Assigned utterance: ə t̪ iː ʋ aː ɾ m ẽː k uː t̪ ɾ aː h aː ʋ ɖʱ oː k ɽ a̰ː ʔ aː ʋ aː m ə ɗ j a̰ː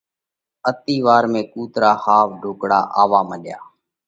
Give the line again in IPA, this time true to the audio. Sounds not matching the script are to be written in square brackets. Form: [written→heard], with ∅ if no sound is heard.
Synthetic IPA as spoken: ə t̪ iː ʋ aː ɾ m ẽː k uː t̪ ɾ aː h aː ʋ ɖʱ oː k ɽ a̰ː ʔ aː ʋ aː m ə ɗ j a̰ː